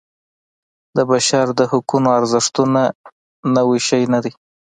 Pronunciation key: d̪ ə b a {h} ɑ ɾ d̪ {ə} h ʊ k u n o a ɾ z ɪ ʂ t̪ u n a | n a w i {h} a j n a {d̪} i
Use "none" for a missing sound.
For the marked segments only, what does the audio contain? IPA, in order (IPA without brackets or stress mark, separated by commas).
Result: ʃ, ə, ʃ, d̪